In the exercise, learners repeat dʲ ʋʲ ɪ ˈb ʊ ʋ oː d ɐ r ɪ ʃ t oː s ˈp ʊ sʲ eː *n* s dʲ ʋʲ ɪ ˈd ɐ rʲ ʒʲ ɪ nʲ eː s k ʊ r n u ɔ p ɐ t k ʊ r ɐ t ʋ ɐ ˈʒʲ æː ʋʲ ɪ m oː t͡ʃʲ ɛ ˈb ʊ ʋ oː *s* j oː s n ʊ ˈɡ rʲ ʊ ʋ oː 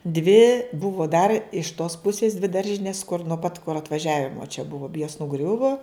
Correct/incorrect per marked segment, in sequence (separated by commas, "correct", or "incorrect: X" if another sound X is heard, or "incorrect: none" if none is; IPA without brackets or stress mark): incorrect: none, incorrect: none